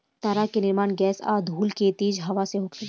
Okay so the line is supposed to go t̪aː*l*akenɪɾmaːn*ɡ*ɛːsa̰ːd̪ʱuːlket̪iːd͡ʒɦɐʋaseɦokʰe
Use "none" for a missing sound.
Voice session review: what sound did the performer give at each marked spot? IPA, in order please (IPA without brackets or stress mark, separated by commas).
ɾ, ɡ